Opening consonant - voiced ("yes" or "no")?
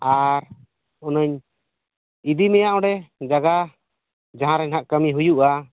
yes